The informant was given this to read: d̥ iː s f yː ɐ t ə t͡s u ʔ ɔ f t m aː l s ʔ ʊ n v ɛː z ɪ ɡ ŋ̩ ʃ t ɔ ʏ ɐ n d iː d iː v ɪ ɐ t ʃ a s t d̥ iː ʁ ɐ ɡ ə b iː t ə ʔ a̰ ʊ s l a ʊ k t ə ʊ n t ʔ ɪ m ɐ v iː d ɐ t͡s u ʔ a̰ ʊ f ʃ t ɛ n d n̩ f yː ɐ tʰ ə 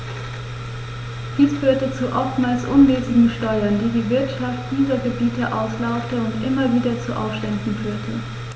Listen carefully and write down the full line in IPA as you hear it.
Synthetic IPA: d̥ iː s f yː ɐ t ə t͡s u ʔ ɔ f t m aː l s ʔ ʊ n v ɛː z ɪ ɡ ŋ̩ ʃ t ɔ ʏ ɐ n d iː d iː v ɪ ɐ t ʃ a f t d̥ iː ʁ ɐ ɡ ə b iː t ə ʔ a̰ ʊ s l a ʊ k t ə ʊ n t ʔ ɪ m ɐ v iː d ɐ t͡s u ʔ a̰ ʊ f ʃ t ɛ n d n̩ f yː ɐ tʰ ə

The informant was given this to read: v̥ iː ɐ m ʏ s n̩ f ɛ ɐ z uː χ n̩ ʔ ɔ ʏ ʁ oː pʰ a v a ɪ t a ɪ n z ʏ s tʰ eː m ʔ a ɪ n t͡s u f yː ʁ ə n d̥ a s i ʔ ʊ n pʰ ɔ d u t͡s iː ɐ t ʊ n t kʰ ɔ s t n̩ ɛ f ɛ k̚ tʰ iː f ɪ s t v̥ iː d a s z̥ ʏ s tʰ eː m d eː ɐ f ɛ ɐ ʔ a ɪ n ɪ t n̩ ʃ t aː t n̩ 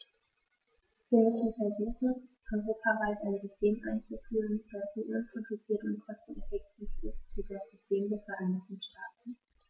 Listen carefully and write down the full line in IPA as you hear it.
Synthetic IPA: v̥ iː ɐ m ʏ s n̩ f ɛ ɐ z uː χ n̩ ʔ ɔ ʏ ʁ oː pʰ a v a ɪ t a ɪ n z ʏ s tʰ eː m ʔ a ɪ n t͡s u f yː ʁ ə n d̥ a s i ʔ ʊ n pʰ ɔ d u t͡s iː ɐ t ʊ n t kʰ ɔ s t n̩ ɛ f ɛ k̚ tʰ iː f ɪ s t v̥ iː d a s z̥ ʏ s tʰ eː m d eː ɐ f ɛ ɐ ʔ a ɪ n ɪ t n̩ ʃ t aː t n̩

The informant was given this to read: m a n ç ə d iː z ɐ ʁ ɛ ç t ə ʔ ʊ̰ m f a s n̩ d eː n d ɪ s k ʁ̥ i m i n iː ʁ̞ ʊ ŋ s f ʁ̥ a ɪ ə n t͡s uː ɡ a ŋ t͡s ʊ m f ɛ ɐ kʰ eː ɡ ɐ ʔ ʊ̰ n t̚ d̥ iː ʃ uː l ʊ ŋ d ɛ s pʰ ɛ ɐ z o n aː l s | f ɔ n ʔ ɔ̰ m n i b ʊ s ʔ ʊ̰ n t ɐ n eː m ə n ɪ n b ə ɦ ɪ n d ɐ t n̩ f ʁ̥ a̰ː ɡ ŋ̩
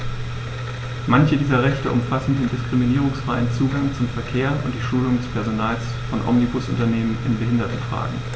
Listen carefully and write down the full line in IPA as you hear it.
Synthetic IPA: m a n ç ə d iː z ɐ ʁ ɛ ç t ə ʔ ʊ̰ m f a s n̩ d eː n d ɪ s k ʁ̥ i m i n iː ʁ̞ ʊ ŋ s f ʁ̥ a ɪ ə n t͡s uː ɡ a ŋ t͡s ʊ m f ɛ ɐ kʰ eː ɐ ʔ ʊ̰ n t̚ d̥ iː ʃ uː l ʊ ŋ d ɛ s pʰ ɛ ɐ z o n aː l s | f ɔ n ʔ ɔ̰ m n i b ʊ s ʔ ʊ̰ n t ɐ n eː m ə n ɪ n b ə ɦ ɪ n d ɐ t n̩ f ʁ̥ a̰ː ɡ ŋ̩

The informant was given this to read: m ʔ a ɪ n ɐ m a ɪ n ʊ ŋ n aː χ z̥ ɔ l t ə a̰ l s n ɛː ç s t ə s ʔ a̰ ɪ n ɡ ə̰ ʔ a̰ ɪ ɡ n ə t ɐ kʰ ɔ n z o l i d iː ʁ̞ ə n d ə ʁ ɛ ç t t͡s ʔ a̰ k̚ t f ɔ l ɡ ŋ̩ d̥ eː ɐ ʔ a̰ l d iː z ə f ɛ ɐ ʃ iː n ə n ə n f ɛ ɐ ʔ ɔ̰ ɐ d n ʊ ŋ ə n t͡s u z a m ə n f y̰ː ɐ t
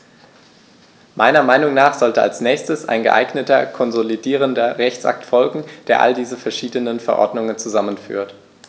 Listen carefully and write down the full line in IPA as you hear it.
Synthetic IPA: m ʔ a ɪ n ɐ m a ɪ n ʊ ŋ n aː χ z̥ ɔ l t ə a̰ l s n ɛː ç s t ə s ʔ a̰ ɪ n ɡ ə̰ ʔ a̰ ɪ ɡ n ə t ɐ kʰ ɔ n z o l i d iː ʁ̞ ə n d ɐ ʁ ɛ ç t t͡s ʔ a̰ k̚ t f ɔ l ɡ ŋ̩ d̥ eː ɐ ʔ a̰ l d iː z ə f ɛ ɐ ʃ iː d ə n ə n f ɛ ɐ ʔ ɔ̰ ɐ d n ʊ ŋ ə n t͡s u z a m ə n f y̰ː ɐ t

